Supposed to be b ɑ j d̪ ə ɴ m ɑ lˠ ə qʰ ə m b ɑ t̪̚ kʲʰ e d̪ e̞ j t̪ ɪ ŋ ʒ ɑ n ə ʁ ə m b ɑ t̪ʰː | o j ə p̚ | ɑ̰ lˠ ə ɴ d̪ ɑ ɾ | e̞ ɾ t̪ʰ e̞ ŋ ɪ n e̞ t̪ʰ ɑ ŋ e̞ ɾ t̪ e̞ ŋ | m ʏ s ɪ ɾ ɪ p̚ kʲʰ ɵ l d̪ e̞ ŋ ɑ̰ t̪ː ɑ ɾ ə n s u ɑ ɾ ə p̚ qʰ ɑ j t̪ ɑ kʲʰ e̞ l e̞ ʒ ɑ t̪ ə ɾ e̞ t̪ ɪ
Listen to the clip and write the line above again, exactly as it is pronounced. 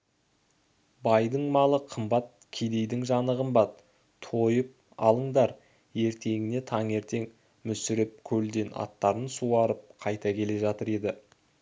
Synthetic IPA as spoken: b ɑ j d̪ ə ɴ m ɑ lˠ ə qʰ ə m b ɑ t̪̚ kʲʰ e d̪ e̞ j d̪ ɪ ŋ ʒ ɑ n ə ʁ ə m b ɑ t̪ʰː | o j ə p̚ | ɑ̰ lˠ ə ɴ d̪ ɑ ɾ | e̞ ɾ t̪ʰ e̞ ŋ ɪ n e̞ t̪ʰ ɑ ŋ e̞ ɾ t̪ e̞ ŋ | m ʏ s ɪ ɾ ɪ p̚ kʲʰ ɵ l d̪ e̞ n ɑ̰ t̪ː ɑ ɾ ə n s u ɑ ɾ ə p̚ qʰ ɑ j t̪ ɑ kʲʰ e̞ l e̞ ʒ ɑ t̪ ə ɾ e̞ d̪ ɪ